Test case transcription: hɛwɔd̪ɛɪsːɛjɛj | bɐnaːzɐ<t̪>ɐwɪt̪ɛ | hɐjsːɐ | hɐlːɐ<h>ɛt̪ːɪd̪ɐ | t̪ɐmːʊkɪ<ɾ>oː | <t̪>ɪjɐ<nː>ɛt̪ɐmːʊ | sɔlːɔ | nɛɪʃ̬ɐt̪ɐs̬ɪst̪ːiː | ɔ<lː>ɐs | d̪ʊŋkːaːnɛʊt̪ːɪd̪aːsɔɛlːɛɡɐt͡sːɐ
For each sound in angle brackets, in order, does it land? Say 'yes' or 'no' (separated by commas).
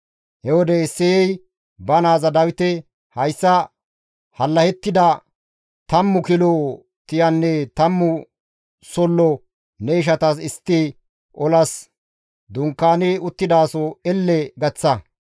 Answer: no, yes, no, yes, yes, no